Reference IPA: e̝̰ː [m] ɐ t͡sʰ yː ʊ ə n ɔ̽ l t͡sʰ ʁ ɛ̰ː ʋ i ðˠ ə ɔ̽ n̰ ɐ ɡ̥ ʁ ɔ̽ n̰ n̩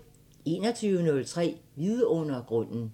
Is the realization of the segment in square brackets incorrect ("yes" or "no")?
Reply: yes